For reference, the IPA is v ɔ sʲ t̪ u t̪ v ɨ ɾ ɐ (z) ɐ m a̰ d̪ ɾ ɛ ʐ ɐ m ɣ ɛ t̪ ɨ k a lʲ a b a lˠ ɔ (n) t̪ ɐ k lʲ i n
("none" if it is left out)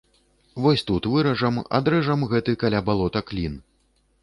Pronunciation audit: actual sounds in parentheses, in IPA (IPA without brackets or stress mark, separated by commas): ʐ, none